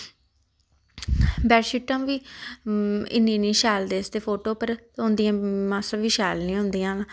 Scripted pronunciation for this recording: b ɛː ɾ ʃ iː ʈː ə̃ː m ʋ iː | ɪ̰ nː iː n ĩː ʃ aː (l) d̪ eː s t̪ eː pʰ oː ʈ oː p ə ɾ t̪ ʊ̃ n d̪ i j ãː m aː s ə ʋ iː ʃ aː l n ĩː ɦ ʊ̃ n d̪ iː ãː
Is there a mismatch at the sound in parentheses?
no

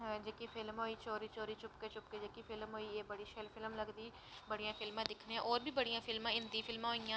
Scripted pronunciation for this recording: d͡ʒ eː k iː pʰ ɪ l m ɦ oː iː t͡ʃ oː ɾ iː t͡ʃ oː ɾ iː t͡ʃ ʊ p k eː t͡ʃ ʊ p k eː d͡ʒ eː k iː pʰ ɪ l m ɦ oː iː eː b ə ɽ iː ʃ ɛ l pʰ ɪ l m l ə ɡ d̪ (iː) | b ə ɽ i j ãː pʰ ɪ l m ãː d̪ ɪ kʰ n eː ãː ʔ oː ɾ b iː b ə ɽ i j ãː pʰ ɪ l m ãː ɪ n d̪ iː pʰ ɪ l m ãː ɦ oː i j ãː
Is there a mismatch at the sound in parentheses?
no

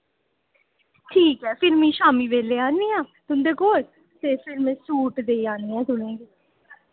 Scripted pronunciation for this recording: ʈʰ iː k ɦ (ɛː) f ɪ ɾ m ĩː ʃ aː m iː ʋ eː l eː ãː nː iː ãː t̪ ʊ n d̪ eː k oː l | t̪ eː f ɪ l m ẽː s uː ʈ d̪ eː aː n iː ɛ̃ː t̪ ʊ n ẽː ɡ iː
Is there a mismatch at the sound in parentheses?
no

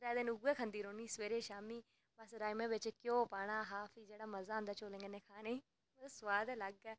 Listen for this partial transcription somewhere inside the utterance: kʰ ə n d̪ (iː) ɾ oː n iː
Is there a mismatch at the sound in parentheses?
no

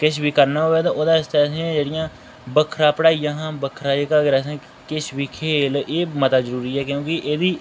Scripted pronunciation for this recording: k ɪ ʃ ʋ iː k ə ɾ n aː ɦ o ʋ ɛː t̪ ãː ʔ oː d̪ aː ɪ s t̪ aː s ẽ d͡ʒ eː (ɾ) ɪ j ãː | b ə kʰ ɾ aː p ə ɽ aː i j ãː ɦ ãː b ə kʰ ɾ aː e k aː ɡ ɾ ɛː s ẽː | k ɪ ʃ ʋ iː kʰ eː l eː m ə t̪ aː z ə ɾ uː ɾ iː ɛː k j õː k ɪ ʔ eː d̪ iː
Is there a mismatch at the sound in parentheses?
yes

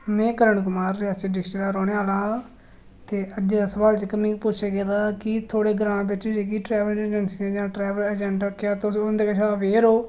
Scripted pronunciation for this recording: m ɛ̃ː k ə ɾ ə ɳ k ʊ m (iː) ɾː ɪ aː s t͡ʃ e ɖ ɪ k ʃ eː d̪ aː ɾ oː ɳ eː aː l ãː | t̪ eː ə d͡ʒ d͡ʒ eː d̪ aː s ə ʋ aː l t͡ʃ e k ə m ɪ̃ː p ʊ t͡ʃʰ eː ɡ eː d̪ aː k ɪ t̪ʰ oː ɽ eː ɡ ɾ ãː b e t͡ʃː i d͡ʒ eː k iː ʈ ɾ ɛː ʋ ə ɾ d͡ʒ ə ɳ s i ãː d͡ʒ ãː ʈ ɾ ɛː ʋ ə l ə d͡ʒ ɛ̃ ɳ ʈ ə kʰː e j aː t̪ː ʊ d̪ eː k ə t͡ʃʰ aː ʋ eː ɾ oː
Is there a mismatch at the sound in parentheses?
yes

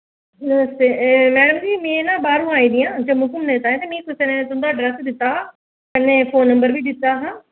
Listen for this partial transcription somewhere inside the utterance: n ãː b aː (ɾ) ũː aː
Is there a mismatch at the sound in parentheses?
no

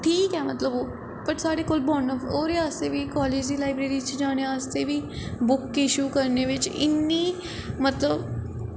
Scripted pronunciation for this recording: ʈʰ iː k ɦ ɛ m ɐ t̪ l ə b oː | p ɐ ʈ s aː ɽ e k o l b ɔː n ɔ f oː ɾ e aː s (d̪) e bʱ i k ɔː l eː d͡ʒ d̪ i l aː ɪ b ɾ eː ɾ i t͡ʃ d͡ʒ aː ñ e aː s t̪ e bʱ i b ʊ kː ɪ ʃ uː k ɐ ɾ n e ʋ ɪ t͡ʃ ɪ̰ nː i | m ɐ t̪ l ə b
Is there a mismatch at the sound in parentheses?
yes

